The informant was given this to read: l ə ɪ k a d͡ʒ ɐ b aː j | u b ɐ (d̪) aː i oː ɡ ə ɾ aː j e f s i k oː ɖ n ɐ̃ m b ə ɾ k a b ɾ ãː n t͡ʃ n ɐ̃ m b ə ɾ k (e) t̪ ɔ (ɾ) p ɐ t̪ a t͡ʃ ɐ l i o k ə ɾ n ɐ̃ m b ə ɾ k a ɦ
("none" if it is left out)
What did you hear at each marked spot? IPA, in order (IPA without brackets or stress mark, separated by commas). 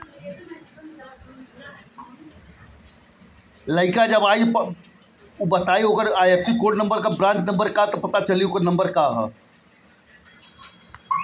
t̪, a, none